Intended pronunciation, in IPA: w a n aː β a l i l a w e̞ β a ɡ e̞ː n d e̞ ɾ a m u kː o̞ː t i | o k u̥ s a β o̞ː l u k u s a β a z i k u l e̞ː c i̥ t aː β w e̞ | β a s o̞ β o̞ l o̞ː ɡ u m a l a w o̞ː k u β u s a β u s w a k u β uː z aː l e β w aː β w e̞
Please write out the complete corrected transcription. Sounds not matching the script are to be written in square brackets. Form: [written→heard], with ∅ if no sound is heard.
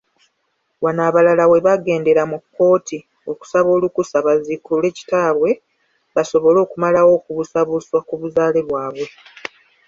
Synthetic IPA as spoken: w a n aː β a l [i→a] l a w e̞ β a ɡ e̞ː n d e̞ ɾ a m u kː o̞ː t i | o k u̥ s a β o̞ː l u k u s a β a z i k u l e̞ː c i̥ t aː β w e̞ | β a s o̞ β o̞ l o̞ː [ɡ→k] u m a l a w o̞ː k u β u s a β u s w a k u β [uː→u] z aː l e β w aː β w e̞